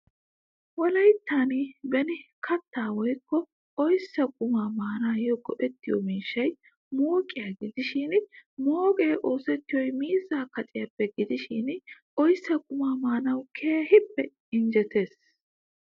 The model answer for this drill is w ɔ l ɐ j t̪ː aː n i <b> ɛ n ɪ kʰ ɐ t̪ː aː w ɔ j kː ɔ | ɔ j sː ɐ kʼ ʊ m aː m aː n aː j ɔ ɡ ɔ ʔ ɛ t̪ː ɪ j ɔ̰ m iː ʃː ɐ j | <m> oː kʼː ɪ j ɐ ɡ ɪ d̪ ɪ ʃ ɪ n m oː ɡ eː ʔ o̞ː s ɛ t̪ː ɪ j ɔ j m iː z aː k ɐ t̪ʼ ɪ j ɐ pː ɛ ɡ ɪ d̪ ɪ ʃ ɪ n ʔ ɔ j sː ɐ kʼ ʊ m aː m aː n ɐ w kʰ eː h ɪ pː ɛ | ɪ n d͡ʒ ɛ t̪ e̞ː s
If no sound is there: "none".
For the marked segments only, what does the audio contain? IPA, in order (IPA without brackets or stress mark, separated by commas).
b, m